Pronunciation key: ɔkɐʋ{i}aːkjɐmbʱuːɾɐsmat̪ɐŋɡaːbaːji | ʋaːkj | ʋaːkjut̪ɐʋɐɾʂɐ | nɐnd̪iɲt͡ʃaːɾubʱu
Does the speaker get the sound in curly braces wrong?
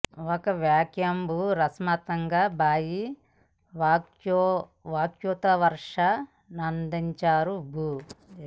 yes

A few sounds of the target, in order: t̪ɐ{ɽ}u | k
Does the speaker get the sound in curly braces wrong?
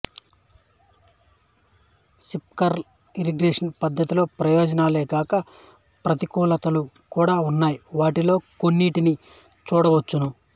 yes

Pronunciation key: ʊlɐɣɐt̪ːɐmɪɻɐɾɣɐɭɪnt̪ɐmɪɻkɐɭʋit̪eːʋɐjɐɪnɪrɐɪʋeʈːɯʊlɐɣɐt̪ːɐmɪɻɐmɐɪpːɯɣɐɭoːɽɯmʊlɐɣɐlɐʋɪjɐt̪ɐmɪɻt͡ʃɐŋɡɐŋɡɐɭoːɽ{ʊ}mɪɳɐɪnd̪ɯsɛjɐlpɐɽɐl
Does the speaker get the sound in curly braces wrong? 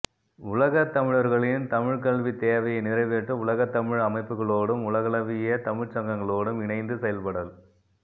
yes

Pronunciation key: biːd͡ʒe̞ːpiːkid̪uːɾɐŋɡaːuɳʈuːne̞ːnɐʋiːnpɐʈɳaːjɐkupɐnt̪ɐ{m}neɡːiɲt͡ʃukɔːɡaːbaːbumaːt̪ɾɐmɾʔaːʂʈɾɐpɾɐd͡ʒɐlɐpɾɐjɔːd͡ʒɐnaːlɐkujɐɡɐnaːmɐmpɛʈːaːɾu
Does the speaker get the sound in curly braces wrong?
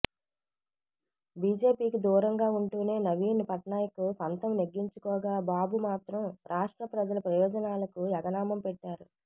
no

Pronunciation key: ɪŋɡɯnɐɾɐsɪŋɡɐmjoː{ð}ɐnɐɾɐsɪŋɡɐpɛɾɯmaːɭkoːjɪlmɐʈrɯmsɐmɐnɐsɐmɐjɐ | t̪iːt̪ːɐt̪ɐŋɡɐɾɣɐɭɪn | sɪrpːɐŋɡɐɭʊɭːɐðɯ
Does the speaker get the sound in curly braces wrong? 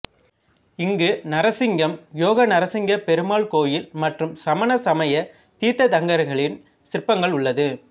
yes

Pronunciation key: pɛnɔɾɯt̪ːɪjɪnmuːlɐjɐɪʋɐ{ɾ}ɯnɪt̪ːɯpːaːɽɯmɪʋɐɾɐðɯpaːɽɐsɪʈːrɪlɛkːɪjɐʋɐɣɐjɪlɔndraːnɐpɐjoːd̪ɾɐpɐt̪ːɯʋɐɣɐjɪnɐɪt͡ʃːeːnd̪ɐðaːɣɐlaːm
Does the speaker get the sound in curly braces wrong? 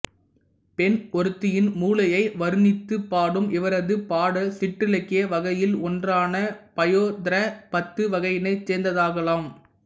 no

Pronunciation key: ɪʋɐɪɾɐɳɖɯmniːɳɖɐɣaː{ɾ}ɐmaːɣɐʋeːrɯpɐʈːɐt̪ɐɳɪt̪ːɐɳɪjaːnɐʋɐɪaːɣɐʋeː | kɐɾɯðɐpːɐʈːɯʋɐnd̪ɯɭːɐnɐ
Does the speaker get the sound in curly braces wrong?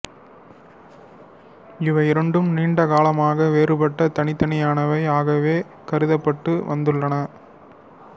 yes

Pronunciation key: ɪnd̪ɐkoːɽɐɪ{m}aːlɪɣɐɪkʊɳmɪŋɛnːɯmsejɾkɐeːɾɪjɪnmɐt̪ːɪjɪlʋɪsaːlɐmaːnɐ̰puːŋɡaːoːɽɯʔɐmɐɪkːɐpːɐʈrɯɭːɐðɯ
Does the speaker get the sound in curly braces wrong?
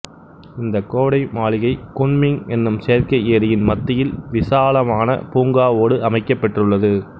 no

